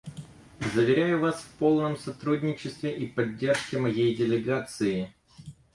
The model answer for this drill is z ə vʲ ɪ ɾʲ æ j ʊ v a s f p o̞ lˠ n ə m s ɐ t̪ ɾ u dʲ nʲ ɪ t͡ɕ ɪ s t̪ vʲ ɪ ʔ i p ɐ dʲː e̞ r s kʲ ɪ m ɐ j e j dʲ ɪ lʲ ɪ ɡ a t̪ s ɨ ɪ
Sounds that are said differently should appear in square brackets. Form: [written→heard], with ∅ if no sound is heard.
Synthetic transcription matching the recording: z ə vʲ ɪ ɾʲ æ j ʊ v a s f p o̞ lˠ n ə m s ɐ t̪ ɾ u dʲ nʲ ɪ t͡ɕ ɪ s t̪ vʲ ɪ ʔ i p ɐ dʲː e̞ r [s→ʂ] kʲ ɪ m ɐ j e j dʲ ɪ lʲ ɪ ɡ a t̪ s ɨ ɪ